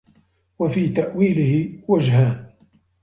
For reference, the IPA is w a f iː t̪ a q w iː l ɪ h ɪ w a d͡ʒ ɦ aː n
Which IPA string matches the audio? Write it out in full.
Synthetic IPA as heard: w a f iː t̪ a ʔ w iː l ɪ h ɪ w a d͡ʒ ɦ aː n